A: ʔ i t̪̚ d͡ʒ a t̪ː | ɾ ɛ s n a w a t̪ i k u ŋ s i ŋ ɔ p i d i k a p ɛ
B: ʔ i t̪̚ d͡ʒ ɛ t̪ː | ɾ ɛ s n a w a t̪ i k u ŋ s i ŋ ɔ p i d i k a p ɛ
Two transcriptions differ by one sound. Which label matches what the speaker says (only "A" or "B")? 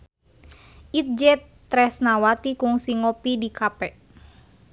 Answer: B